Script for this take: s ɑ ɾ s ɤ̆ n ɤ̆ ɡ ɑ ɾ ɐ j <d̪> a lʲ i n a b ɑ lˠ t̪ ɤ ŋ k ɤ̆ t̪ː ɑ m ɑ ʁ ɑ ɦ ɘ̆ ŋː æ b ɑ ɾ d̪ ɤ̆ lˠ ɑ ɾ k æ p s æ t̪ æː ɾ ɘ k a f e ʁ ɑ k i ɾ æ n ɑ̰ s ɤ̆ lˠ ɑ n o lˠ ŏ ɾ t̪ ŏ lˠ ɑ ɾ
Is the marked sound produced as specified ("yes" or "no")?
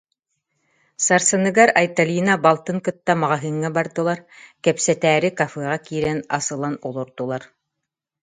no